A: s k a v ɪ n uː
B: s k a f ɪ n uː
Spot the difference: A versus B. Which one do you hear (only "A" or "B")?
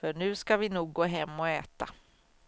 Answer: A